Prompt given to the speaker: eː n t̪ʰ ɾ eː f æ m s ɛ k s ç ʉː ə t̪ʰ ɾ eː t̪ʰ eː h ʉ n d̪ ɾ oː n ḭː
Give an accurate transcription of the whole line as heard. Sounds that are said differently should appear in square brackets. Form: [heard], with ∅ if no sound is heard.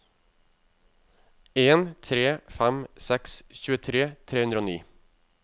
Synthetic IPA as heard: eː n t̪ʰ ɾ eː f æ m s ɛ k s ç ʉː ə t̪ʰ ɾ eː t̪ʰ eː h ʉ n d̪ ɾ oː n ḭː

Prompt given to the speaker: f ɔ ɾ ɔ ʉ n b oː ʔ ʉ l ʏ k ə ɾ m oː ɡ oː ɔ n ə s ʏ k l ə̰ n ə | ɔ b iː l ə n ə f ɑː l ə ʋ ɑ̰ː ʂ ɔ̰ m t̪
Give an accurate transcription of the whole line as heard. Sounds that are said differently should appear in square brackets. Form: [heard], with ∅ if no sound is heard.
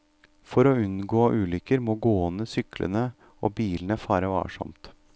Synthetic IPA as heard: f ɔ ɾ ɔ ʉ n [ɡ] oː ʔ [ʉː] l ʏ k ə ɾ m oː ɡ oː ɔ n ə s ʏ k l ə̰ n ə | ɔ b iː l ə n ə f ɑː [ɾ] ə ʋ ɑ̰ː ʂ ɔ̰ m t̪

